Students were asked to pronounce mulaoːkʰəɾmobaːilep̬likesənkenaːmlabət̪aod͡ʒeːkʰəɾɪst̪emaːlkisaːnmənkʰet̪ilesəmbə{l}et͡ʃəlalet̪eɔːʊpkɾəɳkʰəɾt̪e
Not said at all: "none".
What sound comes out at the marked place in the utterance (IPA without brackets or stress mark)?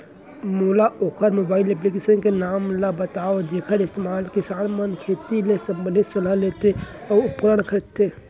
l